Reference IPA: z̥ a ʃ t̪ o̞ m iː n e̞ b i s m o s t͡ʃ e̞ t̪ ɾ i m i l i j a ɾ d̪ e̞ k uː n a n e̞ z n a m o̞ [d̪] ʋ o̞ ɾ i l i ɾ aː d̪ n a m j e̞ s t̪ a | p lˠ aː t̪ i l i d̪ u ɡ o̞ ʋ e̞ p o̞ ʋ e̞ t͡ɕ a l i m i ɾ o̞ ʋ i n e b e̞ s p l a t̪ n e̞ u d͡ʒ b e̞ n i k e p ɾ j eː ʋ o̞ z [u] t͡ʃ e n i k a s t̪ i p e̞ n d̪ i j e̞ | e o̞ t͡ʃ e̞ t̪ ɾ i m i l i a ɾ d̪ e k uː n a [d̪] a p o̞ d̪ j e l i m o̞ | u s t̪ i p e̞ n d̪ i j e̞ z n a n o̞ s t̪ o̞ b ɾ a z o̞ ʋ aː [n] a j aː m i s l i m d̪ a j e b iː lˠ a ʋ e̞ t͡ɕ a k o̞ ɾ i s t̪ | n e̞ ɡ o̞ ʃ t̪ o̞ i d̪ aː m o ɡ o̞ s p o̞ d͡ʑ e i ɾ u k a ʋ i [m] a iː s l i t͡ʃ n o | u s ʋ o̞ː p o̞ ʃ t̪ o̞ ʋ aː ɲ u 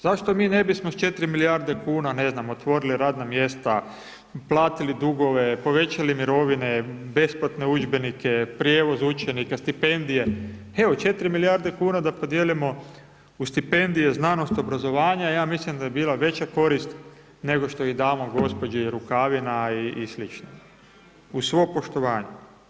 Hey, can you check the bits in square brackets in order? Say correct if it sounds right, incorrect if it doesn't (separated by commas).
incorrect, correct, correct, incorrect, incorrect